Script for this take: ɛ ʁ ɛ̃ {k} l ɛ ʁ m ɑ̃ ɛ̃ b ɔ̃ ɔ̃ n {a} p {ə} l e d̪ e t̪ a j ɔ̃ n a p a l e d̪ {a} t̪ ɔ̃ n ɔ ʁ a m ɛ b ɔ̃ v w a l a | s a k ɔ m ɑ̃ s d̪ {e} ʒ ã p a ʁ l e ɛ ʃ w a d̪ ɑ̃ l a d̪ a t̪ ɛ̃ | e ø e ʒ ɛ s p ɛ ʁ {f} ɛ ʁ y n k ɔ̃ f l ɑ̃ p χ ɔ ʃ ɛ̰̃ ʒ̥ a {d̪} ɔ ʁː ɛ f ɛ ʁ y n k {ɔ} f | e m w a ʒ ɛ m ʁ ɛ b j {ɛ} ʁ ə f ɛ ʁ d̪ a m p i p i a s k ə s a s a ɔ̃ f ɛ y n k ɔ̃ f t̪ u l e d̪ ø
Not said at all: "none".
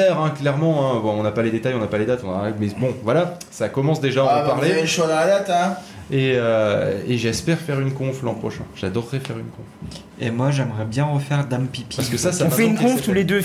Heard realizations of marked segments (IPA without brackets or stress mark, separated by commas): k, a, a, a, e, f, d̪, ɔ̃, ɛ̃